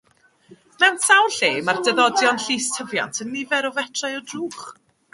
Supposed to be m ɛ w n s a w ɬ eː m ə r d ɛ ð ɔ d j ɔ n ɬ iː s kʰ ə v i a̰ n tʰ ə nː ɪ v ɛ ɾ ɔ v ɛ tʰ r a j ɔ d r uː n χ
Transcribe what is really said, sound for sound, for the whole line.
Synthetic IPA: m ɛ w n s a w ɬ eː m a r d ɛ ð ɔ d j ɔ n ɬ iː s tʰ ə v j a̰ n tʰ ə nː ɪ v ɛ ɾ ɔ v ɛ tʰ r a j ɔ d r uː χ